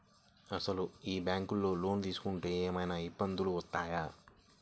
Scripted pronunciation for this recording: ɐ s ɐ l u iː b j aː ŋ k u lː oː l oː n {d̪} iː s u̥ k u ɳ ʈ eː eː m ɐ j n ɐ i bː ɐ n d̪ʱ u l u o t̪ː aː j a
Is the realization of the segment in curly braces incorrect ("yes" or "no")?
no